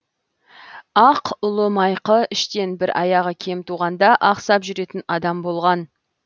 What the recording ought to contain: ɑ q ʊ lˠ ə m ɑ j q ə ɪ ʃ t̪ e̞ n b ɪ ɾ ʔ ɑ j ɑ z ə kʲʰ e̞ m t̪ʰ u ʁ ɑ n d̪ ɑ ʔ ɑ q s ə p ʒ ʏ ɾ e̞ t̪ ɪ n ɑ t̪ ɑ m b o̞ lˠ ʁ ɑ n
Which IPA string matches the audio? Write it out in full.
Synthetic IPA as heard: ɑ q ʊ lˠ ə m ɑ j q ə ɪ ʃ t̪ e̞ n b ɪ ɾ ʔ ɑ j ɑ ʁ ə kʲʰ e̞ m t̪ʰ u ʁ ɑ n d̪ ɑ ʔ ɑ q s ɑ p ʒ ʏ ɾ e̞ t̪ ɪ n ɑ d̪ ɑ m b o̞ lˠ ʁ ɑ n